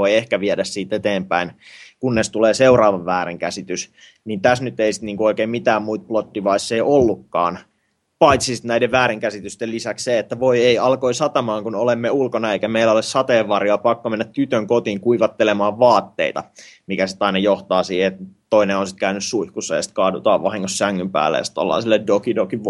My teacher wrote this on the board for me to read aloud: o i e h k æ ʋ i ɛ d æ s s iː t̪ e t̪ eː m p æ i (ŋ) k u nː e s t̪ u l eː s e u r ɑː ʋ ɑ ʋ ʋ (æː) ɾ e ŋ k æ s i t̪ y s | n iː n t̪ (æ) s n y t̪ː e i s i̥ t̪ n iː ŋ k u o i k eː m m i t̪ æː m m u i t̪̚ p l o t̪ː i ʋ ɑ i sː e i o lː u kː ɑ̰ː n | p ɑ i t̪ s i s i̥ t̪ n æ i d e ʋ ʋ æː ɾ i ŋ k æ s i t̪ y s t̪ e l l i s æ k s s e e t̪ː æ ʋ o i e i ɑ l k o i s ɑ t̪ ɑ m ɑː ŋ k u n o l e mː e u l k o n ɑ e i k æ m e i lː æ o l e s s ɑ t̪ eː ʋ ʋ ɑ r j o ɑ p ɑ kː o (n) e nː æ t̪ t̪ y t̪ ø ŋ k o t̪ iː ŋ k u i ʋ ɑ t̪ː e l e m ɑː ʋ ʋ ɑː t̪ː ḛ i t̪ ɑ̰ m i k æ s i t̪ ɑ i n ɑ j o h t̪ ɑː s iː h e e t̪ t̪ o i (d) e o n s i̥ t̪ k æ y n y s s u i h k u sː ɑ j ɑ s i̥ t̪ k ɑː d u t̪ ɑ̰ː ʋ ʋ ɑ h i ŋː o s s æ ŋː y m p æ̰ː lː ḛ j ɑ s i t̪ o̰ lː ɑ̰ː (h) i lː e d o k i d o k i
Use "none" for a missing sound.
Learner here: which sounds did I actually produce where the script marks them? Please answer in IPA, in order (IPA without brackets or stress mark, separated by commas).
n, æː, æ, m, n, s